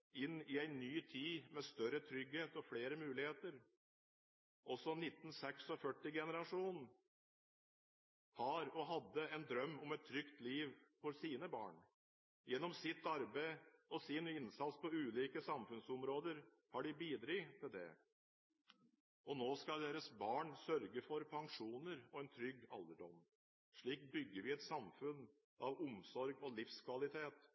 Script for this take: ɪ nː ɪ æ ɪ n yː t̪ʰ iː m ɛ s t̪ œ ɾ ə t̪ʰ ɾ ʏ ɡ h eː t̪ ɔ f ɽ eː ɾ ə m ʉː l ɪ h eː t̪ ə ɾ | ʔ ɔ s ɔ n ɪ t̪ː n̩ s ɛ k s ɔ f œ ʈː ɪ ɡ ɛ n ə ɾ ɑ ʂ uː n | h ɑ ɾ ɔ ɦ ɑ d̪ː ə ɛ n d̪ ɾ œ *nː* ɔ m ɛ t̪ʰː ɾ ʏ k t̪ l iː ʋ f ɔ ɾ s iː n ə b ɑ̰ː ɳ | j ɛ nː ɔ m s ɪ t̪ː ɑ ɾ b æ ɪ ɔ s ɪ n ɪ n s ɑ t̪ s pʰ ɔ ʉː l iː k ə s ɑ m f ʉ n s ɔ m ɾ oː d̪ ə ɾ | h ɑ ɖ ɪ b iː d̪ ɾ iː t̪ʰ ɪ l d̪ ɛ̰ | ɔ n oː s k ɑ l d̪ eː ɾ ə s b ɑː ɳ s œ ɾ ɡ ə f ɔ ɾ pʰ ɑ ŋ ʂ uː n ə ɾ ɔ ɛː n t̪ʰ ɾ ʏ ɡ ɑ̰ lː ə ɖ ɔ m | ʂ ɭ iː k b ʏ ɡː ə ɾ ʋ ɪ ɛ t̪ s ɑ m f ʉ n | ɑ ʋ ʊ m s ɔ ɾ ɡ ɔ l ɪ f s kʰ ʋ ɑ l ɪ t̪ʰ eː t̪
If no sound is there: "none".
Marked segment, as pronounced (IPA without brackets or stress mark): mː